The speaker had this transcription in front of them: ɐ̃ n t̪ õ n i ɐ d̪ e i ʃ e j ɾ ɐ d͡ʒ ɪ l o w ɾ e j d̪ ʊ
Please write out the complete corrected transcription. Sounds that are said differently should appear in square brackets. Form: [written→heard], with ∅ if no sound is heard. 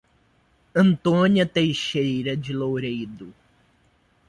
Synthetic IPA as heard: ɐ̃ n t̪ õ n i ɐ [d̪→t̪] e [i→j] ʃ e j ɾ ɐ d͡ʒ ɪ l o w ɾ e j d̪ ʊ